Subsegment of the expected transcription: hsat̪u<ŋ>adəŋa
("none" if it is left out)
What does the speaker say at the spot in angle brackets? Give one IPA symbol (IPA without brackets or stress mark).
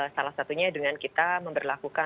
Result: ɲ